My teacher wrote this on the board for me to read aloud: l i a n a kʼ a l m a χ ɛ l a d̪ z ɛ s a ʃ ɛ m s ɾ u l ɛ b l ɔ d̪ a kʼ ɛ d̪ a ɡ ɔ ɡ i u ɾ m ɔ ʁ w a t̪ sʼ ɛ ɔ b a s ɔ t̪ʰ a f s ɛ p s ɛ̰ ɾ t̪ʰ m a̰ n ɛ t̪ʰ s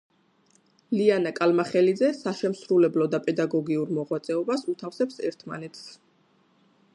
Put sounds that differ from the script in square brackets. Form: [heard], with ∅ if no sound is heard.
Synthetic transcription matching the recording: l i a n a kʼ a l m a χ ɛ l [i] d̪ z ɛ s a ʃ ɛ m s ɾ u l ɛ b l ɔ d̪ a [pʼ] ɛ d̪ a ɡ ɔ ɡ i u ɾ m ɔ ʁ w a t̪ sʼ ɛ ɔ b a s [u] t̪ʰ a f s ɛ p s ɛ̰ ɾ t̪ʰ m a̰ n ɛ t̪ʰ s